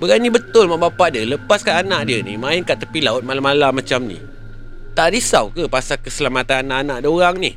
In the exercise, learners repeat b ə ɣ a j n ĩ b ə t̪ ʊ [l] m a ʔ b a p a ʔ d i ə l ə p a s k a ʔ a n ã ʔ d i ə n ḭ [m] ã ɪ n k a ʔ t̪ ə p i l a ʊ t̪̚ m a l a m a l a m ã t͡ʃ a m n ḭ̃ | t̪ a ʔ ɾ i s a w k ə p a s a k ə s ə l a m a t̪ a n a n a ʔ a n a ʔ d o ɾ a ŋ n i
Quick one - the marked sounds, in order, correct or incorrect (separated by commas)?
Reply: correct, correct